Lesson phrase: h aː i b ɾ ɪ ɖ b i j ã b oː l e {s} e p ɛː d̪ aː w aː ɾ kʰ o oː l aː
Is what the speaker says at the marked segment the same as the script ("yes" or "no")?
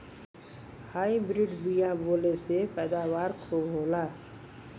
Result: yes